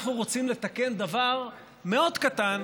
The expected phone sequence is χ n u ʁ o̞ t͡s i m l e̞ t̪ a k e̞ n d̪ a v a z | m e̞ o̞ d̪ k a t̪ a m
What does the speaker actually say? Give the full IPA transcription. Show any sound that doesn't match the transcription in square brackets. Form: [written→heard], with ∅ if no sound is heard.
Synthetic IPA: χ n u ʁ o̞ t͡s i m l e̞ t̪ a k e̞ n d̪ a v a [z→ʁ] | m e̞ o̞ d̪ k a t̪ a [m→n]